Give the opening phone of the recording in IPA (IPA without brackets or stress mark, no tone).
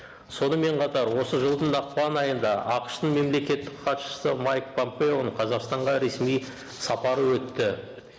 s